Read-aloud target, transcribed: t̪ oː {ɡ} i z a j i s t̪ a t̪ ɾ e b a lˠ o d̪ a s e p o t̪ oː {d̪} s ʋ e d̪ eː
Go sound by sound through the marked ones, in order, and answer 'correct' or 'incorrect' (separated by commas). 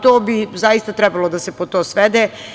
incorrect, incorrect